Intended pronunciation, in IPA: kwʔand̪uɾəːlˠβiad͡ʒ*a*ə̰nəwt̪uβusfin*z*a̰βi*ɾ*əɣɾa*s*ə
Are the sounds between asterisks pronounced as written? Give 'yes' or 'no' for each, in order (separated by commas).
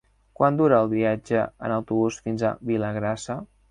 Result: no, yes, no, yes